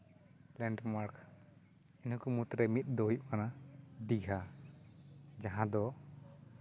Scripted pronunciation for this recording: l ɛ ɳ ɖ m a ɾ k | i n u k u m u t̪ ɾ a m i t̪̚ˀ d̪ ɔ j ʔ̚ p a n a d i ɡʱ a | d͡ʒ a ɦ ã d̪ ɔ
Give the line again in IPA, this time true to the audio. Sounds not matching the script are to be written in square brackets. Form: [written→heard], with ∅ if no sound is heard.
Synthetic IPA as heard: l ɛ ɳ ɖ m a ɾ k | i n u k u m u t̪ ɾ [a→ɛ] m i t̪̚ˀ d̪ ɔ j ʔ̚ [p→k] a n a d i ɡʱ a | d͡ʒ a ɦ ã d̪ ɔ

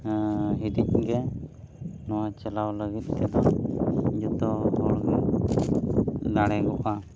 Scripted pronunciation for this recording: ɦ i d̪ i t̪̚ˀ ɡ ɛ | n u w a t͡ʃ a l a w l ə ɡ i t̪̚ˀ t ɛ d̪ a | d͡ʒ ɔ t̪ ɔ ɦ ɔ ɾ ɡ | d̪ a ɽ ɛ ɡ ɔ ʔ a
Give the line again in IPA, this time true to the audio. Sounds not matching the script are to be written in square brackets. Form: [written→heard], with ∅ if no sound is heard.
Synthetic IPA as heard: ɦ i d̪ i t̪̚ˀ ɡ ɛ | n [u→ɔ] w a t͡ʃ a l a w l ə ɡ i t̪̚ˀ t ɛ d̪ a | d͡ʒ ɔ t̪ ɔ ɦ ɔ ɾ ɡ | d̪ a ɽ ɛ ɡ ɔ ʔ a

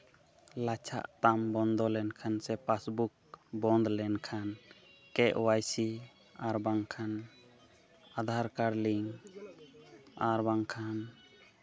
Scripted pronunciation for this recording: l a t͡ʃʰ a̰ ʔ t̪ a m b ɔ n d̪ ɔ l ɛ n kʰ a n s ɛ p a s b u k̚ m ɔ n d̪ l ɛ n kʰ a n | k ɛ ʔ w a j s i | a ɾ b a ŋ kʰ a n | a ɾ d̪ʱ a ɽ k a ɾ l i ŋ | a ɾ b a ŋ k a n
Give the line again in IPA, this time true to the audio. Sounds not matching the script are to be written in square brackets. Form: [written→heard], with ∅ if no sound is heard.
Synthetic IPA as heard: l a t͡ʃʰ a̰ ʔ t̪ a m b ɔ n d̪ ɔ l ɛ n kʰ a n s ɛ p a s b u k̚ [m→b] ɔ n d̪ l ɛ n kʰ a n | k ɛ ʔ w a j s i | a ɾ b a ŋ kʰ a n | a [ɾ→∅] d̪ʱ a [ɽ→ɾ] k a ɾ l i ŋ | a ɾ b a ŋ [k→kʰ] a n

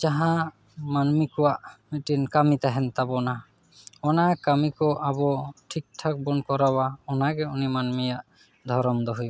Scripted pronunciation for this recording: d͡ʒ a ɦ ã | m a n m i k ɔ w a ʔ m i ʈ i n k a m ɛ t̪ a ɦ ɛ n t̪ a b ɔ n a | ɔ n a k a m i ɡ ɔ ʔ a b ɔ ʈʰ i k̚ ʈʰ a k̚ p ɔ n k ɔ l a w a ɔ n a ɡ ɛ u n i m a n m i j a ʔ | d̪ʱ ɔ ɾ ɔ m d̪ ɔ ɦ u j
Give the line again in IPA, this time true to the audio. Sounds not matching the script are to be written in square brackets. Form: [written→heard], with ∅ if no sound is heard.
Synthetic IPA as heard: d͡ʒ a ɦ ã | m a n m i k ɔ w a ʔ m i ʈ i n k a m [ɛ→i] t̪ a ɦ ɛ n t̪ a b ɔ n a | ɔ n a k a m i [ɡ→k] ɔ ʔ a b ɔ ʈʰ i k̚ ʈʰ a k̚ [p→b] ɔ n k ɔ [l→ɾ] a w a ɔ n a ɡ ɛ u n i m a n m i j a ʔ | d̪ʱ ɔ ɾ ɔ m d̪ ɔ ɦ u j

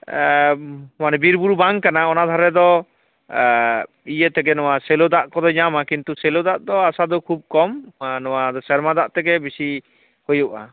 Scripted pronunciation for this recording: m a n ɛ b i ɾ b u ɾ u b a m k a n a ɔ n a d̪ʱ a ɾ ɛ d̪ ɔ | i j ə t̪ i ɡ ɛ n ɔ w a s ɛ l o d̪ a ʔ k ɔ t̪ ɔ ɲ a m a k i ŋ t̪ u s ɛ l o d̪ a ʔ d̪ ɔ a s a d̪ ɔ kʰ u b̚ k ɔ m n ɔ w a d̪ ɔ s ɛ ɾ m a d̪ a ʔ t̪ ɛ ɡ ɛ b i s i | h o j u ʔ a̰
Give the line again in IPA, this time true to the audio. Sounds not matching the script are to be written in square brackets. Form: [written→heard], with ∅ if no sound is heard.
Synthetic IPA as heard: m a n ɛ b i ɾ b u ɾ u b a [m→ŋ] k a n a ɔ n a d̪ʱ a ɾ ɛ d̪ ɔ | i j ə t̪ [i→ɛ] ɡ ɛ n ɔ w a s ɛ l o d̪ a ʔ k ɔ [t̪→d̪] ɔ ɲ a m a k i [ŋ→n] t̪ u s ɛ l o d̪ a ʔ d̪ ɔ a s a d̪ ɔ kʰ u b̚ k ɔ m n ɔ w a d̪ ɔ s ɛ ɾ m a d̪ a ʔ t̪ ɛ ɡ ɛ b i s i | h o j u ʔ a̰

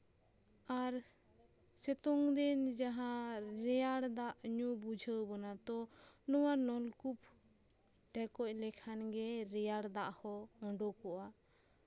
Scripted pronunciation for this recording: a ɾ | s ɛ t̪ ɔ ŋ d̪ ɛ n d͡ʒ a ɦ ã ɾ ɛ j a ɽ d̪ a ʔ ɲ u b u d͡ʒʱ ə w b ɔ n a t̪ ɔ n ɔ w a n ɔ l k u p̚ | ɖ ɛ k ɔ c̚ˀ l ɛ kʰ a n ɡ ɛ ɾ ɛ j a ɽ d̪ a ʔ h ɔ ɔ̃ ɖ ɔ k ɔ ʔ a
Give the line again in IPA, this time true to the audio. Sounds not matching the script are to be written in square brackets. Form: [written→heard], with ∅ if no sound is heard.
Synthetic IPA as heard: a ɾ | s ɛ t̪ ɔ ŋ d̪ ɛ n d͡ʒ a ɦ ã ɾ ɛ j a ɽ d̪ a ʔ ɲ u b u d͡ʒʱ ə w b ɔ n a t̪ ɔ n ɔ w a n ɔ l k u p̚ | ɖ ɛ k ɔ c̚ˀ l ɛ kʰ a n ɡ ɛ ɾ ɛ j a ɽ d̪ a ʔ h ɔ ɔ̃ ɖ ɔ k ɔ ʔ a

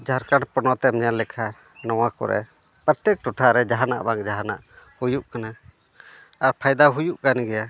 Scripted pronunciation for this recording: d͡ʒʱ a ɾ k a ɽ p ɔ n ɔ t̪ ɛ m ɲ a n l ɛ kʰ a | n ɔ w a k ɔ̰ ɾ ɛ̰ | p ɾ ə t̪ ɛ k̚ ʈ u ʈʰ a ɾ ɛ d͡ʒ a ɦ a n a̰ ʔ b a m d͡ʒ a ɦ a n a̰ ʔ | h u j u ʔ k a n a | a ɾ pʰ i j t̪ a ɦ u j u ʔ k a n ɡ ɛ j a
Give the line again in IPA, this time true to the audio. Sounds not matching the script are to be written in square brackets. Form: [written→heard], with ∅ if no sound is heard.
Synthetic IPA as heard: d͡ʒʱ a ɾ k a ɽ p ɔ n ɔ t̪ ɛ m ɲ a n l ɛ kʰ a | n ɔ w a k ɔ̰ ɾ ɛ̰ | p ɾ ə t̪ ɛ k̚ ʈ u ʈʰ a ɾ ɛ d͡ʒ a ɦ a n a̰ ʔ b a [m→ŋ] d͡ʒ a ɦ a n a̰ ʔ | h u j u ʔ k a n a | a ɾ pʰ [i→a] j [t̪→d̪] a ɦ u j u ʔ k a n ɡ ɛ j a

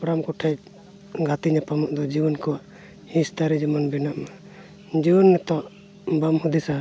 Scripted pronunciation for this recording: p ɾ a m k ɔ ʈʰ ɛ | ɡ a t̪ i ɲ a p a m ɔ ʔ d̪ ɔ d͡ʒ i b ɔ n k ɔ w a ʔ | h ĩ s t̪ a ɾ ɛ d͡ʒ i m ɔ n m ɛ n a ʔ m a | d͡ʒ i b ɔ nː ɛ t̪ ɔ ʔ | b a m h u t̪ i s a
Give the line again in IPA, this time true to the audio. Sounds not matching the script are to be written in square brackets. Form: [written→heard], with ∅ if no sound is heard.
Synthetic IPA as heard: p ɾ a m k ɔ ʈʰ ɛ | ɡ a t̪ i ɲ a p a m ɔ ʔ d̪ ɔ d͡ʒ i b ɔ n k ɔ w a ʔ | h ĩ s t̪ a ɾ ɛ d͡ʒ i m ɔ n [m→b] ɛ n a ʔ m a | d͡ʒ i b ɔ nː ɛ t̪ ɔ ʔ | b a m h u [t̪→d̪] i s a

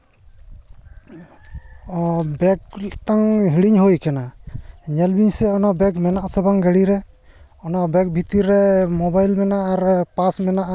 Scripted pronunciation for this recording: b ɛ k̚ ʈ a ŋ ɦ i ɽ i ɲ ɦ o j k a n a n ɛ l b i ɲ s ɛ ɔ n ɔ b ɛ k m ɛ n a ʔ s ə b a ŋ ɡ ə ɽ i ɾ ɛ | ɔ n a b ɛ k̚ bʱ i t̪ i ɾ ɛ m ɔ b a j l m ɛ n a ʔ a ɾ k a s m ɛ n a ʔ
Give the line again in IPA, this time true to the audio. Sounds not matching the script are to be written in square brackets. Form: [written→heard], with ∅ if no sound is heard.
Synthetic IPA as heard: b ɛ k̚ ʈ a ŋ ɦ i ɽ i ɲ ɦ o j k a n a [n→ɲ] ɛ l b i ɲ s ɛ ɔ n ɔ b ɛ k m ɛ n a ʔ s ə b a ŋ ɡ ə ɽ i ɾ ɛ | ɔ n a b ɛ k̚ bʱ i t̪ i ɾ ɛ m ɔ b a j l m ɛ n a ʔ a ɾ [k→p] a s m ɛ n a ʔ

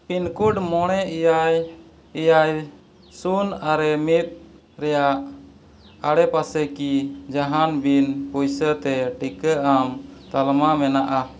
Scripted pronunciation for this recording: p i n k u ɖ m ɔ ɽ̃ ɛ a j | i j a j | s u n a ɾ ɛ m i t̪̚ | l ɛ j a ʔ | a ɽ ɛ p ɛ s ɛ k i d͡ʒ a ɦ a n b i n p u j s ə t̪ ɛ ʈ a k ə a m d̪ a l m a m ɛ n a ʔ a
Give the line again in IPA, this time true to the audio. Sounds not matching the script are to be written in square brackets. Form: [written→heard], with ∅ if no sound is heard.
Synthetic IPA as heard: p i n k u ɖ m ɔ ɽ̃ ɛ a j | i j a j | s u n a ɾ ɛ m i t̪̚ | [l→ɾ] ɛ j a ʔ | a ɽ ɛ p [ɛ→a] s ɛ k i d͡ʒ a ɦ a n b i n p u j s ə t̪ ɛ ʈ [a→i] k ə a m [d̪→t̪] a l m a m ɛ n a ʔ a

